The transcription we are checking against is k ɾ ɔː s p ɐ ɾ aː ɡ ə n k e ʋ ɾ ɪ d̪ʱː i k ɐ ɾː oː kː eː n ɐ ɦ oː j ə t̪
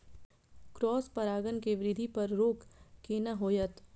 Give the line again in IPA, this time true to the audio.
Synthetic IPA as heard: k ɾ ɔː s p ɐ ɾ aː ɡ ə n k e ʋ ɾ ɪ d̪ʱ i p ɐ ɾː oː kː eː n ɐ ɦ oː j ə t̪

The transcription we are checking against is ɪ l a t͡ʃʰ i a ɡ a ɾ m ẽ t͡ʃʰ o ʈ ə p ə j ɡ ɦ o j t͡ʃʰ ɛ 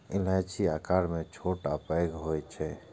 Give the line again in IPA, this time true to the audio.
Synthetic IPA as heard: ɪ l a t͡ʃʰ i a k a ɾ m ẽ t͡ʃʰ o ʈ a p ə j ɡ ɦ o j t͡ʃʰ ɛ

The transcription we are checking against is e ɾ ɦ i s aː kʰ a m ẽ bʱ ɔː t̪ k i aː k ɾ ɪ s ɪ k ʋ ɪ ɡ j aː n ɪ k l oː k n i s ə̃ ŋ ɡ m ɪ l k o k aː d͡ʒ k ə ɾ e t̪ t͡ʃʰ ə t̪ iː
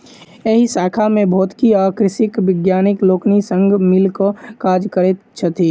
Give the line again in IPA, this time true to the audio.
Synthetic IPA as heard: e ɦ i s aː kʰ a m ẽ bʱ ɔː t̪ k i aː k ɾ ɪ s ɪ k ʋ ɪ ɡ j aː n ɪ k l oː k n i s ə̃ ŋ ɡ m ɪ l k o k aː d͡ʒ k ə ɾ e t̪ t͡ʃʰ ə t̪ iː

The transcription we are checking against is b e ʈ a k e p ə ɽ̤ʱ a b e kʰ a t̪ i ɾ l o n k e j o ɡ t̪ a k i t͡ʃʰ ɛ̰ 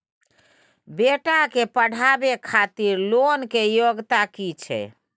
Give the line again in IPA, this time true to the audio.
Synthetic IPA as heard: b e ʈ a k e p ə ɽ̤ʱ a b e kʰ a t̪ i ɾ l o n k e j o ɡ t̪ a k i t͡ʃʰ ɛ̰

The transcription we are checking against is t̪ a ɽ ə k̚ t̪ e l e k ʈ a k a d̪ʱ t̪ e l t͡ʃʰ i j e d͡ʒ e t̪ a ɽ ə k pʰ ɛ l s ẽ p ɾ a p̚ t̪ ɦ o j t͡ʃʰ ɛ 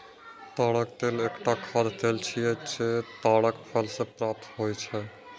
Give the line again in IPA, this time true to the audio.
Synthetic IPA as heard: t̪ a ɽ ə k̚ t̪ e l e k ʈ a kʰ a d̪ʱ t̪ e l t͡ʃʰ i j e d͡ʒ e t̪ a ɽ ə k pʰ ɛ l s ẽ p ɾ a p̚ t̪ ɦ o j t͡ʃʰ ɛ

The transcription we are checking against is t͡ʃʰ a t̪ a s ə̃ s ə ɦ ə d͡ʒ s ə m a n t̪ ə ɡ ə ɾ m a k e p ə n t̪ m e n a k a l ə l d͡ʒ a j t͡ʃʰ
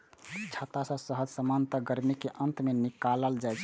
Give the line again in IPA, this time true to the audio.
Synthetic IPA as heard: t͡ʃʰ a t̪ a s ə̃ s ə ɦ ə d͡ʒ s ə m a n t̪ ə ɡ ə ɾ m i k e ʔ ə n t̪ m e n i k a l ə l d͡ʒ a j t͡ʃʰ

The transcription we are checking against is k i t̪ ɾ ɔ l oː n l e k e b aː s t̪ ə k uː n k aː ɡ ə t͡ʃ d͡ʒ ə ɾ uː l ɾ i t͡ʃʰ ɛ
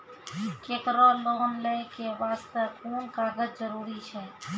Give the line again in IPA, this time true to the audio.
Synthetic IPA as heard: k e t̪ ɾ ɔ l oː n l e k e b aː s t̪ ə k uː n k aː ɡ ə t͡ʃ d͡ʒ ə ɾ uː ɾ i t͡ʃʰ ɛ

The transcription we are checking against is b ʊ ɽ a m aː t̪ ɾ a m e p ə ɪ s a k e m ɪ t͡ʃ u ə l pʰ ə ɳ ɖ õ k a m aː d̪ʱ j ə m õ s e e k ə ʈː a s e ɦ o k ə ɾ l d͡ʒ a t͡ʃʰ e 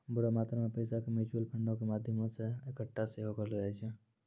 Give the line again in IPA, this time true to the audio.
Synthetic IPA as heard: b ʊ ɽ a m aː t̪ ɾ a m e p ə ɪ s a k e m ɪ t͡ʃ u ə l pʰ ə ɳ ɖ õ k e m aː d̪ʱ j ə m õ s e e k ə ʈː a s e ɦ o k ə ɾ l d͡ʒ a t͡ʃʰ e

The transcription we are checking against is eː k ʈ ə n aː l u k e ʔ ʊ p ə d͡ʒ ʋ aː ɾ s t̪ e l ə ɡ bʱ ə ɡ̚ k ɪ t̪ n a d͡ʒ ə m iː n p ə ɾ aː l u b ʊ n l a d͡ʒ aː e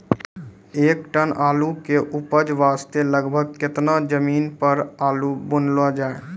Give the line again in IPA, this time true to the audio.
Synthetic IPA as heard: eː k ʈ ə n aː l u k e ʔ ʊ p ə d͡ʒ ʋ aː s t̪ e l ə ɡ bʱ ə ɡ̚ k ɪ t̪ n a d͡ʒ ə m iː n p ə ɾ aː l u b ʊ n l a d͡ʒ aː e

